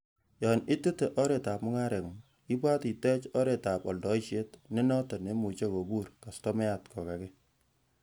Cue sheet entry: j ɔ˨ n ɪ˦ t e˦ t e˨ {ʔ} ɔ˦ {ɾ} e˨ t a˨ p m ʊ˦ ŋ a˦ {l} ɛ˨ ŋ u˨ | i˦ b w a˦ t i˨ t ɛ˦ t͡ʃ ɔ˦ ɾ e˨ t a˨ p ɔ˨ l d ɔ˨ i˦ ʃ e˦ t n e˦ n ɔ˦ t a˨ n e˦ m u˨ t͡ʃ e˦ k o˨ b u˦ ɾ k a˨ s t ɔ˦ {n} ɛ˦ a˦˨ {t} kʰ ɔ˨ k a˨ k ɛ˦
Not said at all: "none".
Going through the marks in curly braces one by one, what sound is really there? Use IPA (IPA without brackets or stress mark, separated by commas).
ʔ, ɾ, ɾ, m, t